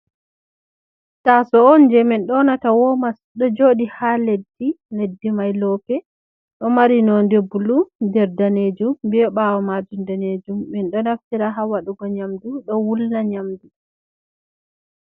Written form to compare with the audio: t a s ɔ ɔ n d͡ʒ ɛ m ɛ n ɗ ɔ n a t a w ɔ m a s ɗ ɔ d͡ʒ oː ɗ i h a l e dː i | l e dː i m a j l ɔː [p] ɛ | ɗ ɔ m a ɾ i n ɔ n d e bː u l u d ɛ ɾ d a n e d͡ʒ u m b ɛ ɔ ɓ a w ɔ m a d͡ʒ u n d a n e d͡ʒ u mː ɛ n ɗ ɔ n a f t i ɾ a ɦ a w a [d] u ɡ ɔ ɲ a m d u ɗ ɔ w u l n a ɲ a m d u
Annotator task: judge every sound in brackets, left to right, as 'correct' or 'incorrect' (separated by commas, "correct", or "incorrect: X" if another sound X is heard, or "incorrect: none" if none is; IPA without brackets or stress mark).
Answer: correct, incorrect: ɗ